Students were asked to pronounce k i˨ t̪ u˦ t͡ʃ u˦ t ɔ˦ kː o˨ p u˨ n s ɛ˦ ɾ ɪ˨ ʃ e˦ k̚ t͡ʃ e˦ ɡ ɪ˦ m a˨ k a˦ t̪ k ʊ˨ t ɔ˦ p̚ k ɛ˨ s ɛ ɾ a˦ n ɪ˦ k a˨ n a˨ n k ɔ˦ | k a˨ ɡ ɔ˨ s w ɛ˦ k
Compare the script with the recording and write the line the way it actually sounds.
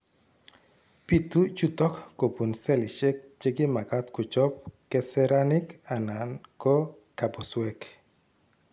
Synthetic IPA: p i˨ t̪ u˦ t͡ʃ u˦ t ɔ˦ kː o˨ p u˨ n s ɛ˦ l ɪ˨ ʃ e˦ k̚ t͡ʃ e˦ ɡ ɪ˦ m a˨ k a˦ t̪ k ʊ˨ t͡ʃ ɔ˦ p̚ k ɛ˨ s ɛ ɾ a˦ n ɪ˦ k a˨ n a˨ n k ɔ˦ | k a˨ b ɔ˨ s w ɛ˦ k

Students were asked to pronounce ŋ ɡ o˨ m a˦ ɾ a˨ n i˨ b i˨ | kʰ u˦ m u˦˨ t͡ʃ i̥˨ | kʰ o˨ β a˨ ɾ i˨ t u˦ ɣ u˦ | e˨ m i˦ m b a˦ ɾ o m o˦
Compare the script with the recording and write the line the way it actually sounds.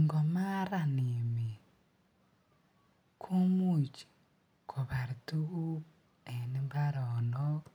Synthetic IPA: ŋ ɡ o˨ m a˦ ɾ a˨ n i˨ m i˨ | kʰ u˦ m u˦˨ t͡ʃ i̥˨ | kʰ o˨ β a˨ ɾ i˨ t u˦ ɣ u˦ | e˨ n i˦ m b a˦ ɾ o n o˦

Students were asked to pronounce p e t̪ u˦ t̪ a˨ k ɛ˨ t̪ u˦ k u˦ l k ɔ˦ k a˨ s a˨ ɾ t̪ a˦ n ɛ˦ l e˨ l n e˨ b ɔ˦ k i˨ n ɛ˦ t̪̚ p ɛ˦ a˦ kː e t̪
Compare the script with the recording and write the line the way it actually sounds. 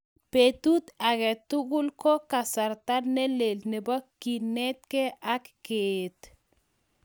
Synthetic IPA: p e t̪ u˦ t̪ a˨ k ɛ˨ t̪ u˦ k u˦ l k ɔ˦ k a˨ s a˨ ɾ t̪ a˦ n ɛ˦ l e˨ l n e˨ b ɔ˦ k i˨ n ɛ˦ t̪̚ k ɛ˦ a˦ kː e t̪

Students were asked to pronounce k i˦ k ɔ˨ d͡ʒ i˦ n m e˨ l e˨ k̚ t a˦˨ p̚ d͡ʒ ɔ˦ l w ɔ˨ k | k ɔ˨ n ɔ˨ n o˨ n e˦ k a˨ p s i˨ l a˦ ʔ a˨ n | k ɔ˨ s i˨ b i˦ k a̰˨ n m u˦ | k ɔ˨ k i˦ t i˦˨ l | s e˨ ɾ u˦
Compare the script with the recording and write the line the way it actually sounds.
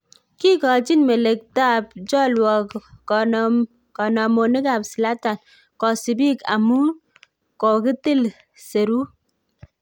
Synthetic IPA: k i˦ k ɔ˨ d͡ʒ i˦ n m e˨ l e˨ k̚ t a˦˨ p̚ d͡ʒ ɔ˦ l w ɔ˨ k | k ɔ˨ n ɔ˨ m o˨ n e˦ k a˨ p s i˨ l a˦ t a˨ n | k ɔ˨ s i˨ b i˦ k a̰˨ m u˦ | k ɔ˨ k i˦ t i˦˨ l | s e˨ ɾ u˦

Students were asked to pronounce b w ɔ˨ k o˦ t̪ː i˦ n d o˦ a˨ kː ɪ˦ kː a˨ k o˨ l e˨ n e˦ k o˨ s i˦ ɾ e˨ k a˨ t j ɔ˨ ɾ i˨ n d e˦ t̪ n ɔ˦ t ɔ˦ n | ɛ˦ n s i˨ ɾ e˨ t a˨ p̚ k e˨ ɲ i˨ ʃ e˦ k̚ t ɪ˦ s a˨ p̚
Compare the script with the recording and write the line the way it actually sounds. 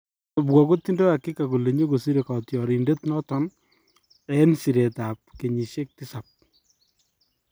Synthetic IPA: b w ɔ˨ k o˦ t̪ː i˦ n d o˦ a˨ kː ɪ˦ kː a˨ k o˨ l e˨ ɲ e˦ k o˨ s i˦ ɾ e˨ k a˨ t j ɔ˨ ɾ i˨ n d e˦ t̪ n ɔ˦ t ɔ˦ n | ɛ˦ n s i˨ ɾ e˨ t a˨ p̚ k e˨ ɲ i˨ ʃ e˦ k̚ t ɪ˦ s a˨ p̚

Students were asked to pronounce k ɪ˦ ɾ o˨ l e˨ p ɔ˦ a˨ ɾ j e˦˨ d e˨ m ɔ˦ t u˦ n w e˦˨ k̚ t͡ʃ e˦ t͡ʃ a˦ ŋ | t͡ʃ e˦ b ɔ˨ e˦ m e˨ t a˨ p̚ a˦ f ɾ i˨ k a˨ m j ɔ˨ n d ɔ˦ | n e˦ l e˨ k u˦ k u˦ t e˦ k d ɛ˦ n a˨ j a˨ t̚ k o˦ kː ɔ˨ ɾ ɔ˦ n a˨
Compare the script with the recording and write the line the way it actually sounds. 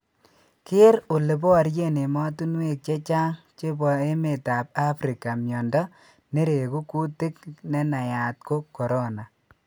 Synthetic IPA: k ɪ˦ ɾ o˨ l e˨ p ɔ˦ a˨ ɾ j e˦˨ n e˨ m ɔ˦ t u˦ n w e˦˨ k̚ t͡ʃ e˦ t͡ʃ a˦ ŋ | t͡ʃ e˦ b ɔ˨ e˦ m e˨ t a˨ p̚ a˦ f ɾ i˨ k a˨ m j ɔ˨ n d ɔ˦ | n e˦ ɾ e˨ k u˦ k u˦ t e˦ k n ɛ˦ n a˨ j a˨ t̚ k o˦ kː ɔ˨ ɾ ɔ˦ n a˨

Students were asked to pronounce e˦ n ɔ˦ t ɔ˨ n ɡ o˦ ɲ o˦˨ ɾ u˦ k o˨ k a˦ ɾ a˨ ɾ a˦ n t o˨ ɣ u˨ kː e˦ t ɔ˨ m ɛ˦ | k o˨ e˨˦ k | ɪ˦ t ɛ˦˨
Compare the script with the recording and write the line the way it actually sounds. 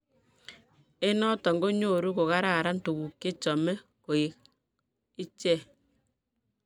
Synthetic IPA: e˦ n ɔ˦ t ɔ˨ ŋ ɡ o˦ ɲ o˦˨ ɾ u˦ k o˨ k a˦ ɾ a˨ ɾ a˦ n t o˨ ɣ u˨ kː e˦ t͡ʃ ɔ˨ m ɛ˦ | k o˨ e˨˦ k | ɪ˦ t͡ʃ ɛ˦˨

